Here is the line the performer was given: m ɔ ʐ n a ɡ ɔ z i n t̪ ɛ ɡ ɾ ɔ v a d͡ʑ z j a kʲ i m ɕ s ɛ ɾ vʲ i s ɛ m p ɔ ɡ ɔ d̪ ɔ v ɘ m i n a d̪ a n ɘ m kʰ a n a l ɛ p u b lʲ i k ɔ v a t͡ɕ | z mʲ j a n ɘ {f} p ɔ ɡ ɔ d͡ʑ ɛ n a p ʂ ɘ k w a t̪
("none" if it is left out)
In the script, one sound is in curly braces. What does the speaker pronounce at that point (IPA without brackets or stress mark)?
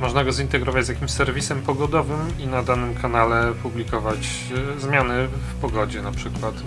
f